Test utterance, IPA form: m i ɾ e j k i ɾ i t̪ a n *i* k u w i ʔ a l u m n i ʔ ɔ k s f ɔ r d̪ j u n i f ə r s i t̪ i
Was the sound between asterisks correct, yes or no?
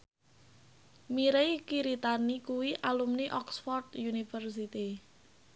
yes